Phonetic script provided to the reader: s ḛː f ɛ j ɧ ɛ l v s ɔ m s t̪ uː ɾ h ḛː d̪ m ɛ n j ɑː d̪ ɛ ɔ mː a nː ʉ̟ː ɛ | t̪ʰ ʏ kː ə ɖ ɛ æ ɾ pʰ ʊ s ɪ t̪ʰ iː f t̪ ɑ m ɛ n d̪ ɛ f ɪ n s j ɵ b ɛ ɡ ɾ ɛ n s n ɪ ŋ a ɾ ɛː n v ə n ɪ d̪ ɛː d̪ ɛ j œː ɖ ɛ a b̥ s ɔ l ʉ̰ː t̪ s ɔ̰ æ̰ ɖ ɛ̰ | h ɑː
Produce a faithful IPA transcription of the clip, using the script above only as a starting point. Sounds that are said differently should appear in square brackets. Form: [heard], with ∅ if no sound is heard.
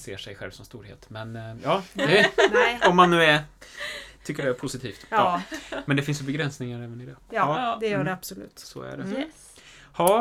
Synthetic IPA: s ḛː [ʂ] ɛ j ɧ ɛ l v s ɔ m s t̪ uː ɾ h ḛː [t̪] m ɛ n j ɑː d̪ ɛ ɔ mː a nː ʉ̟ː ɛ | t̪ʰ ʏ kː ə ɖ ɛ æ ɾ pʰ ʊ s ɪ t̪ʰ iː f t̪ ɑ m ɛ n d̪ ɛ f ɪ n s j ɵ b ɛ ɡ ɾ ɛ n s n ɪ ŋ a ɾ ɛː [∅] v ə n ɪ d̪ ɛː d̪ ɛ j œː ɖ ɛ a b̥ s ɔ l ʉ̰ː t̪ s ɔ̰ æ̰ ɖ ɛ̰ | h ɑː